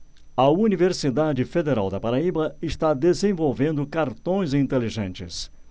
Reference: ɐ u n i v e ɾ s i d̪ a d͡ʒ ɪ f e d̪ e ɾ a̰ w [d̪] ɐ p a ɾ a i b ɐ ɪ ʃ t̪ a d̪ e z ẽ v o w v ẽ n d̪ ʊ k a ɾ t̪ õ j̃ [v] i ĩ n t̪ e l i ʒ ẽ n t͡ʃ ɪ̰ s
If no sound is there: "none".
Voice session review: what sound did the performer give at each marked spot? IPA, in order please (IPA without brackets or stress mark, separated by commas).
d̪, z